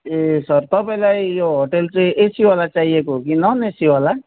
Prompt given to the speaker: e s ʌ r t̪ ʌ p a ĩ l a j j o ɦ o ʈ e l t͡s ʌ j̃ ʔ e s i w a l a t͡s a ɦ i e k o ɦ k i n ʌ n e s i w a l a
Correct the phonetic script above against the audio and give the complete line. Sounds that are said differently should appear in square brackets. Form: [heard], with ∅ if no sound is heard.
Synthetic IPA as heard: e s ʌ r t̪ ʌ p a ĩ l a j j o ɦ o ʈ e l t͡s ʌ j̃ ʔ e s i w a l a t͡s a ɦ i e k o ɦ k i n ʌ n e s i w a l a